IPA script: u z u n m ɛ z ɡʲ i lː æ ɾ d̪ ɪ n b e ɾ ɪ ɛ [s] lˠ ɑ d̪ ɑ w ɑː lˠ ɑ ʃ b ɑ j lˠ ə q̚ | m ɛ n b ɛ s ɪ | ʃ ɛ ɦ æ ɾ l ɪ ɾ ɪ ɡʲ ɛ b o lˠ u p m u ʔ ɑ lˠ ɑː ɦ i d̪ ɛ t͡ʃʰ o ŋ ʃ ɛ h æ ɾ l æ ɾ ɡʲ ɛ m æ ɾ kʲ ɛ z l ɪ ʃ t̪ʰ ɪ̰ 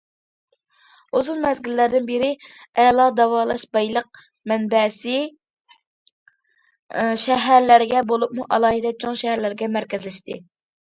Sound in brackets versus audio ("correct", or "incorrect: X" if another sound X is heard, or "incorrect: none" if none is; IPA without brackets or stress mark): incorrect: none